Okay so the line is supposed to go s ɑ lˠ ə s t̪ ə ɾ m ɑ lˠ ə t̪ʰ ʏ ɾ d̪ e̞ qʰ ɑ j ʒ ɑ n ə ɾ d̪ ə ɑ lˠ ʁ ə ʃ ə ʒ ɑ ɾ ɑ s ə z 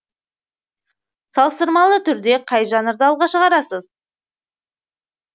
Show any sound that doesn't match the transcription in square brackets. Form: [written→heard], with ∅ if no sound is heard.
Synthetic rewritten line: s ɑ lˠ ə s t̪ ə ɾ m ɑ lˠ ə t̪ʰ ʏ ɾ d̪ e̞ qʰ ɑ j ʒ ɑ n ə ɾ d̪ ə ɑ lˠ ʁ [ə→ɑ] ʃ ə [ʒ→ʁ] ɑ ɾ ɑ s ə z